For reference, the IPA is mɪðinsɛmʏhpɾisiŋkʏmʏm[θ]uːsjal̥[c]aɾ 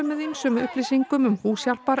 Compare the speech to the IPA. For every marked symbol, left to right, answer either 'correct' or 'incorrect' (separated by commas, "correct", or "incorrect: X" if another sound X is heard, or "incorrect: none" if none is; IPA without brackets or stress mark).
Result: incorrect: h, incorrect: p